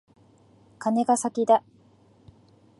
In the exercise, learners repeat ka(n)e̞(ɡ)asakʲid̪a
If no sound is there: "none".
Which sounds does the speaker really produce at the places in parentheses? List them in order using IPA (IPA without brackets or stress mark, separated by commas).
n, ɡ